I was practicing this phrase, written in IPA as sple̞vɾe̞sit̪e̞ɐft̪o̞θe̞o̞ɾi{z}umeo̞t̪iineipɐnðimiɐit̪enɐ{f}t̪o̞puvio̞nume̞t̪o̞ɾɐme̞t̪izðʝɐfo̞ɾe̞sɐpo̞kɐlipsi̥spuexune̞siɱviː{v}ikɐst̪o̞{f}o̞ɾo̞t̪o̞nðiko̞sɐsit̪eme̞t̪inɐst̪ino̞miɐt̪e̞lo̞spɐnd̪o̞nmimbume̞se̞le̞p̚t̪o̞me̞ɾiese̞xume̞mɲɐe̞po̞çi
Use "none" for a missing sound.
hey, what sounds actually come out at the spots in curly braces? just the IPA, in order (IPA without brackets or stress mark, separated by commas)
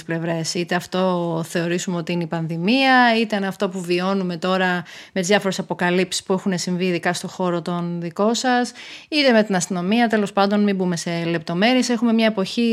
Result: s, f, ð, x